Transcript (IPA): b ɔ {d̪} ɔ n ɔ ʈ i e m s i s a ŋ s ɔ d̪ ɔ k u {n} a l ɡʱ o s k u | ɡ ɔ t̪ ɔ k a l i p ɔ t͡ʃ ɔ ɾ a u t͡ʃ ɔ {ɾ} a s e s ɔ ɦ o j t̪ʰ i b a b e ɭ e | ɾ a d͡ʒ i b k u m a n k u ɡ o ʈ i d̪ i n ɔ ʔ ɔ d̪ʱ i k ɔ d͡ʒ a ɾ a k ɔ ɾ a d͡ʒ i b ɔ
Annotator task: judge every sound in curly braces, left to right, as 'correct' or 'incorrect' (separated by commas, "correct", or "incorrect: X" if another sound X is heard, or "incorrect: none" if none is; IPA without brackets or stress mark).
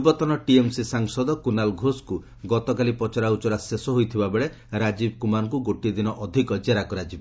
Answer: incorrect: t̪, correct, correct